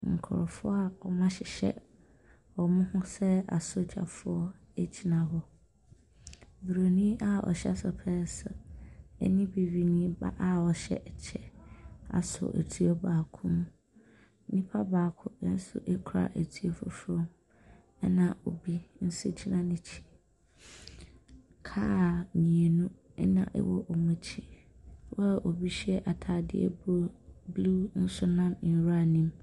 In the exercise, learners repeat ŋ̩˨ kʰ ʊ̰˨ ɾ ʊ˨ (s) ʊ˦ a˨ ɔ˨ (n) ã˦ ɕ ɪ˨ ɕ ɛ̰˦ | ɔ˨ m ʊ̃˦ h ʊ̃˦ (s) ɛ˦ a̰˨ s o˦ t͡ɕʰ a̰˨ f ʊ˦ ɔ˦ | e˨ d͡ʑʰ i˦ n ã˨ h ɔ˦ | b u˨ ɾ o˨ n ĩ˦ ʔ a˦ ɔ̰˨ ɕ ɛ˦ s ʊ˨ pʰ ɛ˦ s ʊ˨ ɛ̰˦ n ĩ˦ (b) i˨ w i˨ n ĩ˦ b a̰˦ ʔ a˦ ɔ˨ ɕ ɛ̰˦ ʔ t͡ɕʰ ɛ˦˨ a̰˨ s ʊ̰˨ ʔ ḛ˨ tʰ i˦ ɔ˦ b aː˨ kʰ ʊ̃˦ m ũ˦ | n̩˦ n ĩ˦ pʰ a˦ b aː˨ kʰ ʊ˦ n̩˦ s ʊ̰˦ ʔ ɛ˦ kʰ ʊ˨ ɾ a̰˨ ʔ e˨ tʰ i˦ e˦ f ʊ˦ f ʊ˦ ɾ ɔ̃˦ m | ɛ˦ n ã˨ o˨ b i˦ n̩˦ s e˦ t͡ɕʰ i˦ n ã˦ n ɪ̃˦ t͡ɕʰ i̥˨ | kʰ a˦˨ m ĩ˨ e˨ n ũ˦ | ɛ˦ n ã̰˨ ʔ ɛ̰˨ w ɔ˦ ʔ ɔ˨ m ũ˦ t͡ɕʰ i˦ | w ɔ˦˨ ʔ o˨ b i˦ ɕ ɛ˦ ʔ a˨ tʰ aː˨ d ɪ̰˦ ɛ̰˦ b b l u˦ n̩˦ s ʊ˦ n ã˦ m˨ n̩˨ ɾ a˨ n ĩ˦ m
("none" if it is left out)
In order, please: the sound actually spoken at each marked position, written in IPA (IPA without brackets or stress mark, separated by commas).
f, m, s, b